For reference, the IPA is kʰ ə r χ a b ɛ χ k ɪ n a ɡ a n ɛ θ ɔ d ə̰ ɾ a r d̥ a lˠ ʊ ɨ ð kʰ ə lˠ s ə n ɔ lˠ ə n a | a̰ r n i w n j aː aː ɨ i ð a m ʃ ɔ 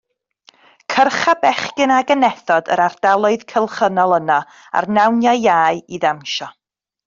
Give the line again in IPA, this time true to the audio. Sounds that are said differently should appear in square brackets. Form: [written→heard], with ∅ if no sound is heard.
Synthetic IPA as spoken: kʰ ə r χ a b ɛ χ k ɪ n a ɡ [a→ə] n ɛ θ ɔ d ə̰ ɾ a r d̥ a lˠ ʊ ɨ ð kʰ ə lˠ [s→χ] ə n ɔ lˠ ə n a | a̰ r n [i→a] w n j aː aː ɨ i ð a m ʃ ɔ